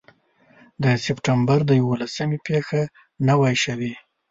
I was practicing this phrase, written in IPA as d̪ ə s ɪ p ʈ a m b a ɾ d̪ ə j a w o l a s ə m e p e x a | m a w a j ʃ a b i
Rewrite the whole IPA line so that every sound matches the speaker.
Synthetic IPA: d̪ ə s ɪ p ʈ a m b a ɾ d̪ ə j a w o l a s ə m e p e x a | n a w a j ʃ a w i